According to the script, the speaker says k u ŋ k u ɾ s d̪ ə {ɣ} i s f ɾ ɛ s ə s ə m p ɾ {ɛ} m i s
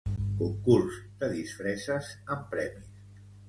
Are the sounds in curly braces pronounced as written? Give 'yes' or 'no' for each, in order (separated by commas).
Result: no, yes